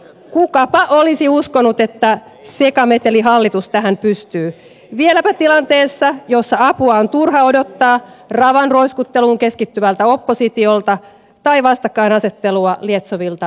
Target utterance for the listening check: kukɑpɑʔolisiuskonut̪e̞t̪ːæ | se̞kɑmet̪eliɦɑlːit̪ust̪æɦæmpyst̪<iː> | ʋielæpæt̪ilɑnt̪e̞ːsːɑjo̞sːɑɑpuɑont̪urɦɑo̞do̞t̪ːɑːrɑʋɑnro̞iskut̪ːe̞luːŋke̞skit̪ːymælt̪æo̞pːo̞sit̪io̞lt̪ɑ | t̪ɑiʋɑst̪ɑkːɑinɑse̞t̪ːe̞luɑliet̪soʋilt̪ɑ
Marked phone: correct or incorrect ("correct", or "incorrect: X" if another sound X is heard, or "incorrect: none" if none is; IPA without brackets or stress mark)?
incorrect: yː